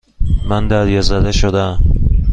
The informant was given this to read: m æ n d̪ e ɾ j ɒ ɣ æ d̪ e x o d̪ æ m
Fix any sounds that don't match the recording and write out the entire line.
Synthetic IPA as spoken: m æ n d̪ æ ɾ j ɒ z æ d̪ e ʃ o d̪ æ m

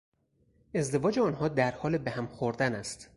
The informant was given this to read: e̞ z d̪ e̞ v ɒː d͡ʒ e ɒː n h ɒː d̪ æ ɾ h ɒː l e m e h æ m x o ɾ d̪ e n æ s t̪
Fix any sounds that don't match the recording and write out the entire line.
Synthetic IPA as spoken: e̞ z d̪ e̞ v ɒː d͡ʒ e ɒː n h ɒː d̪ æ ɾ h ɒː l e b e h æ m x o ɾ d̪ æ n æ s t̪

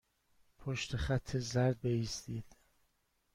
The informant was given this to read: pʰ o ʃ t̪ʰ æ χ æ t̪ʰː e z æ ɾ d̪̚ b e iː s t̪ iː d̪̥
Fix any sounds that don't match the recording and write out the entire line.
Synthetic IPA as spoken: pʰ o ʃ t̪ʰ e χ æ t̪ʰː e z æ ɾ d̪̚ b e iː s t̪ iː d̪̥

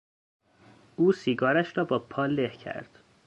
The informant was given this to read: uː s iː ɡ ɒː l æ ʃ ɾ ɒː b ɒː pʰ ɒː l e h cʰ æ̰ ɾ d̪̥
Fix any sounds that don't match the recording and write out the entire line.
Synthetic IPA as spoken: uː s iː ɡ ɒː ɾ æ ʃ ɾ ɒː b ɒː pʰ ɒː l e h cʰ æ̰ ɾ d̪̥

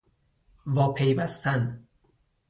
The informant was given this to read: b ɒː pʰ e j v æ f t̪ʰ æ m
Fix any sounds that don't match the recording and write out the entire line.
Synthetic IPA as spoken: v ɒː pʰ e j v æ s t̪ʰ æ n

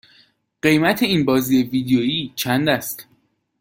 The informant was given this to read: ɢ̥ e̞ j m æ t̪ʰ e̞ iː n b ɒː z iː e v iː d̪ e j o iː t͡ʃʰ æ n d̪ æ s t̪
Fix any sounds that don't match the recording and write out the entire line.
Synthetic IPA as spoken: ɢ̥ e̞ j m æ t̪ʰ e̞ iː n b ɒː z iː e v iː d̪ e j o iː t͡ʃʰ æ n d̪ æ s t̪

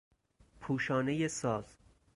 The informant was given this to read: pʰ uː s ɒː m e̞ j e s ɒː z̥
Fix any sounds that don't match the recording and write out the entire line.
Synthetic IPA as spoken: pʰ uː ʃ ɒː n e̞ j e s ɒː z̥

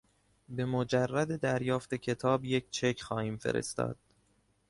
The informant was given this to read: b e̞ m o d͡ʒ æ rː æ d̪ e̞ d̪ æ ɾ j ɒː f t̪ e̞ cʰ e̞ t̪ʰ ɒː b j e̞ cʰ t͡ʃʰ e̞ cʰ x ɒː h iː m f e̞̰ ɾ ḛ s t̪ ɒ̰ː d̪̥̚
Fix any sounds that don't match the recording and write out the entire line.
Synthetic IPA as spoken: b e̞ m o d͡ʒ æ rː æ d̪ e̞ d̪ æ ɾ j ɒː f t̪ e̞ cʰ e̞ t̪ʰ ɒː b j e̞ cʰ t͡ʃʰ e̞ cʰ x ɒː h iː m f e̞̰ ɾ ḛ s t̪ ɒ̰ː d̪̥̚

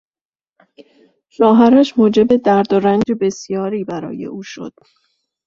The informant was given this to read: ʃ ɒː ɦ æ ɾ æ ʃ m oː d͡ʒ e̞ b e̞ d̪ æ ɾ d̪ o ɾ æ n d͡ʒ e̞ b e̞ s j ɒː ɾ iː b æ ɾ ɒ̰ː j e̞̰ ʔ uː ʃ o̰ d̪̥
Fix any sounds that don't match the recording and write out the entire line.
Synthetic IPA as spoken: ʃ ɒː ɦ æ ɾ æ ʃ m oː d͡ʒ e̞ b e̞ d̪ æ ɾ d̪ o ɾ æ n d͡ʒ e̞ b e̞ s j ɒː ɾ iː b æ ɾ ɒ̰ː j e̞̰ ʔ uː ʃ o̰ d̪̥

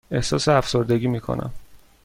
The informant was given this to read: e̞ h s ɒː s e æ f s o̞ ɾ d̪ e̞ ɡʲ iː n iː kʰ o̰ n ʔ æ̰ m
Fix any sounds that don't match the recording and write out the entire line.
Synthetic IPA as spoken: e̞ h s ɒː s e æ f s o̞ ɾ d̪ e̞ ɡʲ iː m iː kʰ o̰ n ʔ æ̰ m

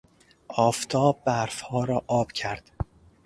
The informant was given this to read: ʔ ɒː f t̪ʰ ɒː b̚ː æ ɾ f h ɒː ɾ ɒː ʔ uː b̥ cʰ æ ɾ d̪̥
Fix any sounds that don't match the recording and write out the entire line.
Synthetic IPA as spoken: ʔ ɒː f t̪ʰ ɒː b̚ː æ ɾ f h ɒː ɾ ɒː ʔ ɒː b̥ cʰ æ ɾ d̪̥

